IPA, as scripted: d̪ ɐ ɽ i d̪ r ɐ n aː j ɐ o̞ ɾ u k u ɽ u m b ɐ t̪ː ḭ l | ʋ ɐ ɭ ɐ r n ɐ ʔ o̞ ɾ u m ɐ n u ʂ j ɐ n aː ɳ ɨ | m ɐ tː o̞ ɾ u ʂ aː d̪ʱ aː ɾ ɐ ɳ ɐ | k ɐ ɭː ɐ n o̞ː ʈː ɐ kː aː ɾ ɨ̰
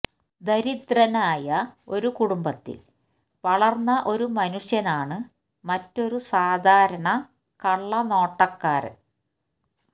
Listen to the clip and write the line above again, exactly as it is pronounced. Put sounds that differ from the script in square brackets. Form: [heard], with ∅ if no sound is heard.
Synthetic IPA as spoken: d̪ ɐ [ɾ] i d̪ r ɐ n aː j ɐ o̞ ɾ u k u ɽ u m b ɐ t̪ː ḭ l | ʋ ɐ ɭ ɐ r [nː] ɐ ʔ o̞ ɾ u m ɐ n u ʂ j ɐ n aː ɳ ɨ | m ɐ tː o̞ ɾ u [s] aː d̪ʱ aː ɾ ɐ ɳ ɐ | k ɐ ɭː ɐ n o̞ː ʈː ɐ kː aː ɾ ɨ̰